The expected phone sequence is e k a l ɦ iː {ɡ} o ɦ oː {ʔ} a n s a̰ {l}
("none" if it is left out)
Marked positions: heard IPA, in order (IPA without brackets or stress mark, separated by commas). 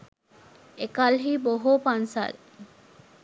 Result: b, p, l